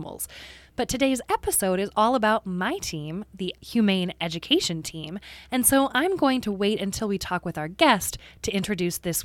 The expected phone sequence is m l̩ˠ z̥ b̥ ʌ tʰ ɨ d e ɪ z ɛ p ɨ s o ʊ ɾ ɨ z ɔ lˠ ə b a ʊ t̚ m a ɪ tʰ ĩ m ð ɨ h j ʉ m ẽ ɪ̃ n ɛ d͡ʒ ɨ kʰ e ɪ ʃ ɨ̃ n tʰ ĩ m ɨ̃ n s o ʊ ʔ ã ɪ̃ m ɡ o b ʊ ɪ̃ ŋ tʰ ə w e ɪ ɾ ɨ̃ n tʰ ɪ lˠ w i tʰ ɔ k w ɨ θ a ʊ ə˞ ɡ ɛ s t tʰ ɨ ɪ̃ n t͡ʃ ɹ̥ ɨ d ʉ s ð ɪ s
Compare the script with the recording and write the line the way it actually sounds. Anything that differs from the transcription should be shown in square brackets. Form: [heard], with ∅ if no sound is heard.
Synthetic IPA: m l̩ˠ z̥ b̥ ʌ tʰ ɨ d e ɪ z ɛ p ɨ s o ʊ ɾ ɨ z ɔ lˠ ə b a ʊ t̚ m a ɪ tʰ ĩ m ð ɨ h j ʉ m ẽ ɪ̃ n ɛ d͡ʒ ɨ kʰ e ɪ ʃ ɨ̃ n tʰ ĩ m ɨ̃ n s o ʊ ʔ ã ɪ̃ m ɡ o [∅] ʊ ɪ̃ ŋ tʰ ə w e ɪ ɾ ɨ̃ n tʰ ɪ lˠ w i tʰ ɔ k w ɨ [ð] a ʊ ə˞ ɡ ɛ s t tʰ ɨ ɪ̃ n t͡ʃ ɹ̥ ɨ d ʉ s ð ɪ s